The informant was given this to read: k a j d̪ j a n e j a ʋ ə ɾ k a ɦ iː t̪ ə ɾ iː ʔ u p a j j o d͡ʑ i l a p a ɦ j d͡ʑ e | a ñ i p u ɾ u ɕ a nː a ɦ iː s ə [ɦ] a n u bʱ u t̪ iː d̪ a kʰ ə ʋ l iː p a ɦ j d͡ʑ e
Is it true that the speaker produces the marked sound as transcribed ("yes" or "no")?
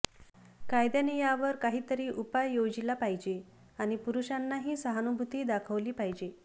yes